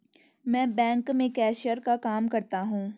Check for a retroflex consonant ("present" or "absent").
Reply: absent